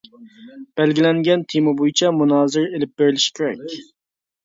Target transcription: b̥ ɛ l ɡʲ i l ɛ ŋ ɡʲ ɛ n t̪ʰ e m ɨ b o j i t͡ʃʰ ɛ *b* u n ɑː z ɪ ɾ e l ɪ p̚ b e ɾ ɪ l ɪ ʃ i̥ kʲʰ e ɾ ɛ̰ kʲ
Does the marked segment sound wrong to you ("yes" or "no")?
yes